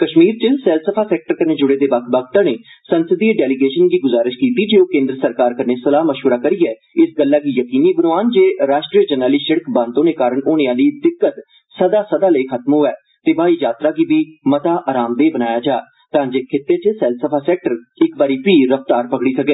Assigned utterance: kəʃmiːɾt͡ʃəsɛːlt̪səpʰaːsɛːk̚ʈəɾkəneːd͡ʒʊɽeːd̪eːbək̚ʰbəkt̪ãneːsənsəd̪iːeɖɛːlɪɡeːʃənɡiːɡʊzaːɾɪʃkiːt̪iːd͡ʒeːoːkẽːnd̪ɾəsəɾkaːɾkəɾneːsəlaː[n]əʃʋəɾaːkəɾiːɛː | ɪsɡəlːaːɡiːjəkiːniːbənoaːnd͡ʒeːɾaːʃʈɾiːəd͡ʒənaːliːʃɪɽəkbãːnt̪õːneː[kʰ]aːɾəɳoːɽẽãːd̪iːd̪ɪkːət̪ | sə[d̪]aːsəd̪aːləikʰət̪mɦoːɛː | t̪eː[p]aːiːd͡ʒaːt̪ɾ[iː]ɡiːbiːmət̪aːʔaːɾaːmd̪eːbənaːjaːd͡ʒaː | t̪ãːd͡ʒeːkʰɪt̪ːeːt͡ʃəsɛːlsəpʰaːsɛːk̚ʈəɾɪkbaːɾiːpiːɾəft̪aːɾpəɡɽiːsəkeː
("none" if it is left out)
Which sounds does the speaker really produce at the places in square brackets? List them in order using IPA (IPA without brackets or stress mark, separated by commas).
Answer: m, k, d̪, b, aː